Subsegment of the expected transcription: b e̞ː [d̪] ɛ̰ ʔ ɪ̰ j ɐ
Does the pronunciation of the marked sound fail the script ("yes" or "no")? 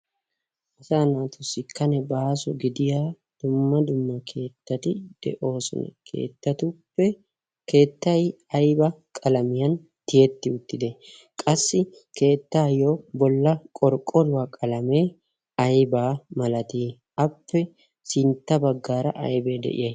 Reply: no